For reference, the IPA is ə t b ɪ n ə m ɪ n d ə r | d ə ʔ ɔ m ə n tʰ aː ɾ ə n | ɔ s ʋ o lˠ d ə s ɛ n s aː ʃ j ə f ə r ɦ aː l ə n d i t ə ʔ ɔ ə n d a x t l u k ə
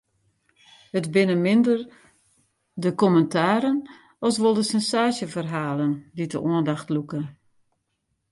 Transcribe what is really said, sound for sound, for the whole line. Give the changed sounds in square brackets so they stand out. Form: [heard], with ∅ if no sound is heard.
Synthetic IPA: ə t b ɪ n ə m ɪ n d ə r | d ə [k] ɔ m ə n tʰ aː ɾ ə n | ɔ s ʋ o lˠ d ə s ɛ n s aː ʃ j ə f ə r ɦ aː l ə n d i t ə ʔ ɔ ə n d a x t l u k ə